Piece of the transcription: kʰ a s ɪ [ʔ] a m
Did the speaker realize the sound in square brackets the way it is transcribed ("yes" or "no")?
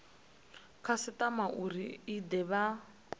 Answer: no